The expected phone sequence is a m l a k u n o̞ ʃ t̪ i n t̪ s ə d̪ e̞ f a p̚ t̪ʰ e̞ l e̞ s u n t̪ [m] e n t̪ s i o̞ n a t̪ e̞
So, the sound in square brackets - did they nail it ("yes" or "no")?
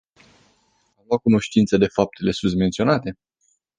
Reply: yes